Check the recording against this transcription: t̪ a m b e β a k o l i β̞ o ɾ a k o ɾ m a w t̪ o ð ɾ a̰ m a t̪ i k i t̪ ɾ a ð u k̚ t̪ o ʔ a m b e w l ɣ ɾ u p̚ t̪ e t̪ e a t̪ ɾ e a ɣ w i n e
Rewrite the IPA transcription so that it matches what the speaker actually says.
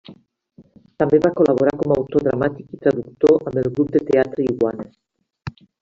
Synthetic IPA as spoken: t̪ a m b e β a k o l a β̞ o ɾ a k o m a w t̪ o ð ɾ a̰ m a t̪ i k i t̪ ɾ a ð u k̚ t̪ o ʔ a m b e l ɣ ɾ u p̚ d̪ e t̪ e a t̪ ɾ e i ɣ w a n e